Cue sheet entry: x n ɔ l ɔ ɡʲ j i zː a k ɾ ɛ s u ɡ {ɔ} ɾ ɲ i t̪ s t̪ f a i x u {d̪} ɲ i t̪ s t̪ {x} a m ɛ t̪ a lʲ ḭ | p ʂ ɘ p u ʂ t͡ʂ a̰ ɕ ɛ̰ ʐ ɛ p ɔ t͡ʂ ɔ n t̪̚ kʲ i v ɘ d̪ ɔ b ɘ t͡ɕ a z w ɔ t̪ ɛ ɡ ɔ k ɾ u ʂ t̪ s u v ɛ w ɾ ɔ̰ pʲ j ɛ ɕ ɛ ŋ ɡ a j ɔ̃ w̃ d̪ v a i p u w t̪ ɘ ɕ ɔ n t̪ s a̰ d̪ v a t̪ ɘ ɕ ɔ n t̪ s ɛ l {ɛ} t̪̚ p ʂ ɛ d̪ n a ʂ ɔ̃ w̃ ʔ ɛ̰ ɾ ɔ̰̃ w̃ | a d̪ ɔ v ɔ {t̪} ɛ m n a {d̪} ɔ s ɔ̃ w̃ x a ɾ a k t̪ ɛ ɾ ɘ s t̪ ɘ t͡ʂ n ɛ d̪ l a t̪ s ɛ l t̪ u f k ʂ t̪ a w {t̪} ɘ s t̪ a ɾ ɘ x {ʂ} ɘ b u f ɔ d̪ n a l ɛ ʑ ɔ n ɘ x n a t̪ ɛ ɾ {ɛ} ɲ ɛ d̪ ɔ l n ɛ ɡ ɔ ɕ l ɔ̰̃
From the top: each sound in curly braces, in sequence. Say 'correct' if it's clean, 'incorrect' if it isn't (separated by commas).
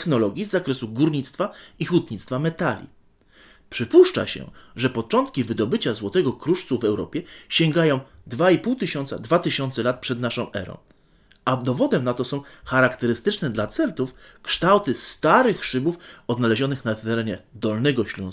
incorrect, incorrect, incorrect, incorrect, incorrect, incorrect, correct, correct, correct